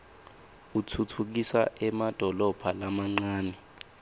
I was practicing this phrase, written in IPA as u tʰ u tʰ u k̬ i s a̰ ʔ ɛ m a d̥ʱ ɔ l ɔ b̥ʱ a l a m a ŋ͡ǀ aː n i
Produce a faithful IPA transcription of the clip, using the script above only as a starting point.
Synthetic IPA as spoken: u tʰ u tʰ u k̬ i s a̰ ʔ ɛ m a d̥ʱ ɔ l ɔ b̥ʱ a l a m a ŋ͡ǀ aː n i